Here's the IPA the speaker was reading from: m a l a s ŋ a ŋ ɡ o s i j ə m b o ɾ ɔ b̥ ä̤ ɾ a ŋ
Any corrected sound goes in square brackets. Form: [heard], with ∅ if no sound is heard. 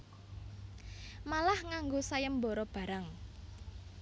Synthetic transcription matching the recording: m a l a [h] ŋ a ŋ ɡ o s [a] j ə m b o ɾ ɔ b̥ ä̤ ɾ a ŋ